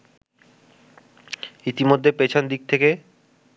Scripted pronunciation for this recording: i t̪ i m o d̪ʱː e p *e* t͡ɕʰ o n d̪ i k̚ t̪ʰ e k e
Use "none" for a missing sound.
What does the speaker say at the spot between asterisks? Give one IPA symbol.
e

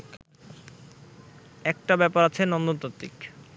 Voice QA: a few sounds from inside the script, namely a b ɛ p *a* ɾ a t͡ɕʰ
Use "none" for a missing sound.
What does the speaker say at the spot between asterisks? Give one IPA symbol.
a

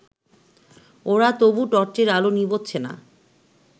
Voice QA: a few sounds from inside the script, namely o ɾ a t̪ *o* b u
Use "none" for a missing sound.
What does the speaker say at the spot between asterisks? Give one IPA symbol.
o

